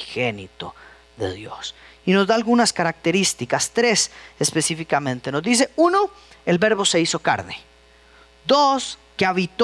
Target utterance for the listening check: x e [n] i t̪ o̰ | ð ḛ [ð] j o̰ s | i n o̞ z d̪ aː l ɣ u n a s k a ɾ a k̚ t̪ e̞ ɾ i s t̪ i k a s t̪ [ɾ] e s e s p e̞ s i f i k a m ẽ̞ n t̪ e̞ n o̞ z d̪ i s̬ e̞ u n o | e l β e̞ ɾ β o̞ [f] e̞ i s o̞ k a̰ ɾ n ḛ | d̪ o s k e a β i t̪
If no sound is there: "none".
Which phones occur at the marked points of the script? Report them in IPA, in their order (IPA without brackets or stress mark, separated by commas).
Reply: n, ð, ɾ, s